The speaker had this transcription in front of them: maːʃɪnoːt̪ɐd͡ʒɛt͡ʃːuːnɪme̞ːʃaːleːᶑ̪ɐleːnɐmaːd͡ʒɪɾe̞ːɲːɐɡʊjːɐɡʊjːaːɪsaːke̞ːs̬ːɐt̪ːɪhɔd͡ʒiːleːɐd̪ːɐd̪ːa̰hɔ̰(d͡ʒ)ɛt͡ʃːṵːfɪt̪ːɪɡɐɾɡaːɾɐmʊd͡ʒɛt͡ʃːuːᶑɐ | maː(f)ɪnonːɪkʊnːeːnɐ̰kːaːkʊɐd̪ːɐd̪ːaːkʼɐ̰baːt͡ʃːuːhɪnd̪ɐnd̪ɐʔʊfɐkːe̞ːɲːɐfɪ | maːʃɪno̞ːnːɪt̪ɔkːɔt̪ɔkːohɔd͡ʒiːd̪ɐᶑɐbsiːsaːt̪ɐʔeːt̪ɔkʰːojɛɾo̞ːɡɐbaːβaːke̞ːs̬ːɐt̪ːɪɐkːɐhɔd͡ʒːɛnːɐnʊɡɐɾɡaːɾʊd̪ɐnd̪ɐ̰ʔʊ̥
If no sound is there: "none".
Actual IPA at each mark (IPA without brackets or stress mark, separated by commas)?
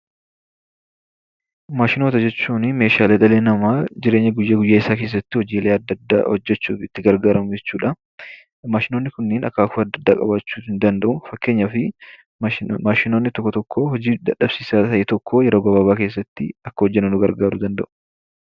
d͡ʒː, ʃ